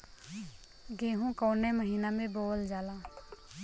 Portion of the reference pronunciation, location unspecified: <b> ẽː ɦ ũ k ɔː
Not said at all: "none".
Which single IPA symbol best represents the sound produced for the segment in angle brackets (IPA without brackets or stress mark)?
ɡ